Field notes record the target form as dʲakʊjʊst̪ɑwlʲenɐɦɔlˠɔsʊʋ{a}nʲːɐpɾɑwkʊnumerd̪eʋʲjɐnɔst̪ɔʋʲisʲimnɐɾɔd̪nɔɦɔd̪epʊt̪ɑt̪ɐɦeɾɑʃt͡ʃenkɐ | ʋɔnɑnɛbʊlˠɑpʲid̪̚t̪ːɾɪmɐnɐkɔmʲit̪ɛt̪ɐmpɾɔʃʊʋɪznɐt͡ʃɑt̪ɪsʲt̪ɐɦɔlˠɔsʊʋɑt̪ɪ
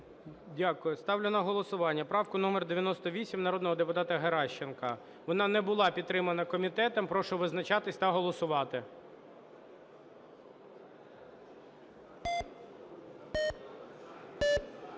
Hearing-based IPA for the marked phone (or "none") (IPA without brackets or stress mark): ɑ